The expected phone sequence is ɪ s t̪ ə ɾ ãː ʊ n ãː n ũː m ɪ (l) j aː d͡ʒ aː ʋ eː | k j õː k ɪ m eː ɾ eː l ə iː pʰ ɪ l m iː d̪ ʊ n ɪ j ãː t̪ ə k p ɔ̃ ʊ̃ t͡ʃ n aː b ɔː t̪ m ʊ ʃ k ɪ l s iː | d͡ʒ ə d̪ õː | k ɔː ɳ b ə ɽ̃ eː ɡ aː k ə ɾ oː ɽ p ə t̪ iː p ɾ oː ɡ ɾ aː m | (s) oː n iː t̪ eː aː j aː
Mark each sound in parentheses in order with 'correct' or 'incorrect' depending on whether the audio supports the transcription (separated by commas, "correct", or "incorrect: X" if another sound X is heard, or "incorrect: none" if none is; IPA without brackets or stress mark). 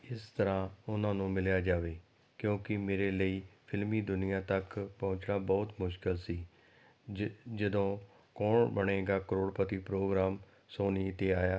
correct, correct